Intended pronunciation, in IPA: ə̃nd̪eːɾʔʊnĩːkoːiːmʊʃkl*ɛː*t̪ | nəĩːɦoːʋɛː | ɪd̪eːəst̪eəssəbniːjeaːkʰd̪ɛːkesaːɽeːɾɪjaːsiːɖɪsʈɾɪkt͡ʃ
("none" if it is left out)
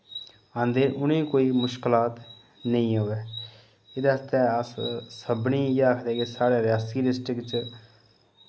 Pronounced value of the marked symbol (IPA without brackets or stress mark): aː